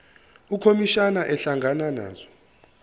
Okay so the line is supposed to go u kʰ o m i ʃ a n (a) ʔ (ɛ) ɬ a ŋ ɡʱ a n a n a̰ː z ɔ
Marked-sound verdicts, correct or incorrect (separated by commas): correct, correct